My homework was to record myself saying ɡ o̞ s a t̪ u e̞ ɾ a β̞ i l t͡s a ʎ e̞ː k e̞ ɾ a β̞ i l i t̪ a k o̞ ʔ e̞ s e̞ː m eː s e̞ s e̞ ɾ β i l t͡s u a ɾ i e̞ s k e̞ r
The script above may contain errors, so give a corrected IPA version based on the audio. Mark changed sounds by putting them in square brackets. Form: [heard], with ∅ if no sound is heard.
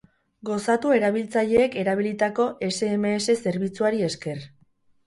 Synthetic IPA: ɡ o̞ s a t̪ u e̞ ɾ a β̞ i l t͡s a ʎ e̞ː k e̞ ɾ a β̞ i l i t̪ a k o̞ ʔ e̞ s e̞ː m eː s e̞ s e̞ ɾ β i [∅] t͡s u a ɾ i e̞ s k e̞ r

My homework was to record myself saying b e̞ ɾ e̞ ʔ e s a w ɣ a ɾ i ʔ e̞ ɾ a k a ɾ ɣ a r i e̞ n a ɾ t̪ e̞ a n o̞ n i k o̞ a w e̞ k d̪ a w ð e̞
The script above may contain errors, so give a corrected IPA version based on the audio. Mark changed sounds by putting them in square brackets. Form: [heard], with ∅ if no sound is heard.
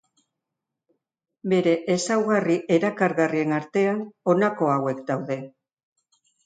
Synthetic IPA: b e̞ ɾ e̞ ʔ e s a w ɣ a [r] i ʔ e̞ ɾ a k a ɾ ɣ a r i e̞ n a ɾ t̪ e̞ a n o̞ n [a] k o̞ a w e̞ k d̪ a w ð e̞

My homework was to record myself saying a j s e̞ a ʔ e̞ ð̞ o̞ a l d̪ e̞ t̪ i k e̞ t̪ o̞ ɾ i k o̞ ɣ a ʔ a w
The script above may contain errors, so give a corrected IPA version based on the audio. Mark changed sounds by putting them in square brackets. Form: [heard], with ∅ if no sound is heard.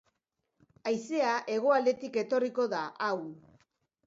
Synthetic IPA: a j s e̞ a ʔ e̞ [ɣ̞] o̞ a l d̪ e̞ t̪ i k e̞ t̪ o̞ [r] i k o̞ [ð] a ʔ a w

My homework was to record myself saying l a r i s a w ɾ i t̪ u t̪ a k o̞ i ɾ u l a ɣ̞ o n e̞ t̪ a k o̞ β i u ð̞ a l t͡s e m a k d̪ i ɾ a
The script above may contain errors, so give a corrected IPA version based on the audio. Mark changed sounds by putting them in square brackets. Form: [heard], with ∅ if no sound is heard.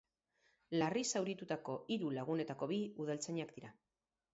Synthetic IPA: l a r i s a w ɾ i t̪ u t̪ a k o̞ i ɾ u l a ɣ̞ [u] n e̞ t̪ a k o̞ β i u ð̞ a l t͡s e [ɲ] a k d̪ i ɾ a

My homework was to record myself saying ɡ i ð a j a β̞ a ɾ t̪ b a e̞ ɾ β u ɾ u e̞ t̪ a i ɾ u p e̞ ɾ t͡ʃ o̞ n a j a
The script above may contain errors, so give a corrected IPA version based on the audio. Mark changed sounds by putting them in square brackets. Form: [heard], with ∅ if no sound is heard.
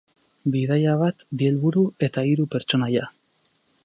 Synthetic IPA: [b] i ð a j a β̞ a [∅] t̪ b [i] e̞ [l] β u ɾ u e̞ t̪ a i ɾ u p e̞ ɾ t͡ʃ o̞ n a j a

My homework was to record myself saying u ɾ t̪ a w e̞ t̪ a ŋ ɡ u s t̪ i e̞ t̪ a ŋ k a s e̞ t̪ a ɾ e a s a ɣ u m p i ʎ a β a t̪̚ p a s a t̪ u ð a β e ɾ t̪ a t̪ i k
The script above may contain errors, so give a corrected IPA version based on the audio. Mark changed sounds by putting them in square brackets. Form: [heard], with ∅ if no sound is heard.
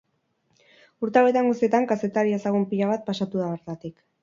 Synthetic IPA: u ɾ t̪ a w e̞ t̪ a ŋ ɡ u s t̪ i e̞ t̪ a ŋ k a s e̞ t̪ a ɾ [i] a s a ɣ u m p i ʎ a β a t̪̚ p a s a t̪ u ð a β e ɾ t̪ a t̪ i k

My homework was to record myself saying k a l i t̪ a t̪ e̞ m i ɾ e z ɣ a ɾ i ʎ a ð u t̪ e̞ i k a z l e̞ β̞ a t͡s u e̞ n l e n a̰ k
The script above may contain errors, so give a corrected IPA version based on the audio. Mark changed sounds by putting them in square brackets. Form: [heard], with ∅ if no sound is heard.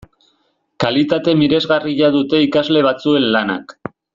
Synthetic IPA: k a l i t̪ a t̪ e̞ m i ɾ e z ɣ a [r] i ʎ a ð u t̪ e̞ i k a z l e̞ β̞ a t͡s u e̞ n l [a] n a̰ k

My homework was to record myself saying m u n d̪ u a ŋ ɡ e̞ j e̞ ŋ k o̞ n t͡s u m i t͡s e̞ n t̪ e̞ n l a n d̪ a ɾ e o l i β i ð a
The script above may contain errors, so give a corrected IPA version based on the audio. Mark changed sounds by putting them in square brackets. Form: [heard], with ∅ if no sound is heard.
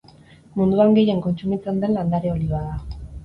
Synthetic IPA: m u n d̪ u a ŋ ɡ e̞ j e̞ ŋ k o̞ n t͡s u m i t͡s e̞ n [d̪] e̞ n l a n d̪ a ɾ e o l i β [a] ð a

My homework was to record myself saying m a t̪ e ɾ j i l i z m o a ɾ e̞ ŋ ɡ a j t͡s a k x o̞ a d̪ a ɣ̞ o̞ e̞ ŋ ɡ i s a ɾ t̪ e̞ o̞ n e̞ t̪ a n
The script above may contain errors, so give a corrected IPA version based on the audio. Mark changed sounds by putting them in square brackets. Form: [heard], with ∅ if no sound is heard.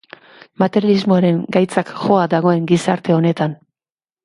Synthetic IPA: m a t̪ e ɾ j [a] l i z m o a ɾ e̞ ŋ ɡ a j t͡s a k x o̞ a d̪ a ɣ̞ o̞ e̞ ŋ ɡ i s a ɾ t̪ e̞ o̞ n e̞ t̪ a n

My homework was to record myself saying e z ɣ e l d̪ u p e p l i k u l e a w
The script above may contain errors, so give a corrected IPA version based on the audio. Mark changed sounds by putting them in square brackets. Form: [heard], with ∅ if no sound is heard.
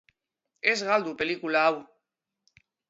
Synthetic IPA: e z ɣ [a] l d̪ u p e [∅] l i k u l [a] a w

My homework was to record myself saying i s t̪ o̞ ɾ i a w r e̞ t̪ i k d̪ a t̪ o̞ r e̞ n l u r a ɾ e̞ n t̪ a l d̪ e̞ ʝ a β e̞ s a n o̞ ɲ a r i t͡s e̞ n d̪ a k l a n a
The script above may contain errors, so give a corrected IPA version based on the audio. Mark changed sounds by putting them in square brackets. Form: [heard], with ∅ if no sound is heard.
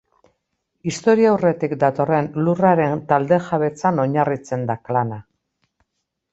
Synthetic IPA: i s t̪ o̞ ɾ i a w r e̞ t̪ i k d̪ a t̪ o̞ r e̞ n l u r a ɾ e̞ n t̪ a l d̪ e̞ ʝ a β e̞ [t͡s] a n o̞ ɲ a r i t͡s e̞ n d̪ a k l a n a

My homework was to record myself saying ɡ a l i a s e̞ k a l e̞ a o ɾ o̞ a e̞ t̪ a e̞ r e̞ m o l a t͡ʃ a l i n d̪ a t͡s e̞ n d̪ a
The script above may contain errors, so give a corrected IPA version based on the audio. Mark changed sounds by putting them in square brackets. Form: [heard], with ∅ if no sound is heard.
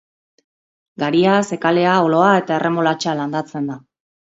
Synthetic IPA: ɡ a [ɾ] i a s e̞ k a l e̞ a o [l] o̞ a e̞ t̪ a e̞ r e̞ m o l a t͡ʃ a l [a] n d̪ a t͡s e̞ n d̪ a

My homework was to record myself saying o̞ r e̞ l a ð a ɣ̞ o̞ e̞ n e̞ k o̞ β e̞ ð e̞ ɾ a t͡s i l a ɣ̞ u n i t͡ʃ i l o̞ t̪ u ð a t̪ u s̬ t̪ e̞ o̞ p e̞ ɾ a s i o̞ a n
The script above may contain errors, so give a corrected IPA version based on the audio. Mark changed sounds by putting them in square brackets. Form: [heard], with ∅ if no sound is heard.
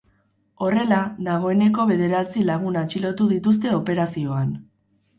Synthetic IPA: o̞ r e̞ l a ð a ɣ̞ o̞ e̞ n e̞ k o̞ β e̞ ð e̞ ɾ a t͡s i l a ɣ̞ u n [a] t͡ʃ i l o̞ t̪ u ð [i] t̪ u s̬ t̪ e̞ o̞ p e̞ ɾ a s i o̞ a n

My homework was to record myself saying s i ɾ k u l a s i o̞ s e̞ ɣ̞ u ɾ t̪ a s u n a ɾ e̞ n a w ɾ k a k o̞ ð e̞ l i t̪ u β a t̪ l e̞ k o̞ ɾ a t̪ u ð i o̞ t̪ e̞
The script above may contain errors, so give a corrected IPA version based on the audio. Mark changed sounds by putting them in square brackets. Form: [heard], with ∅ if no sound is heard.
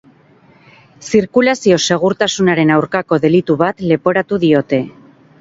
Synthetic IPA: s i ɾ k u l a s i o̞ s e̞ ɣ̞ u ɾ t̪ a s u n a ɾ e̞ n a w ɾ k a k o̞ ð e̞ l i t̪ u β a t̪ l e̞ [p] o̞ ɾ a t̪ u ð i o̞ t̪ e̞

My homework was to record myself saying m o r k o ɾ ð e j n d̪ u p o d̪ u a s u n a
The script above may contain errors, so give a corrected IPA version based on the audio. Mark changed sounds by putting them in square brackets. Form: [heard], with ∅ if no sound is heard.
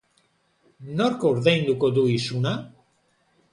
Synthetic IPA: [n] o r k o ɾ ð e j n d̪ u [k] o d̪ u [i] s u n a

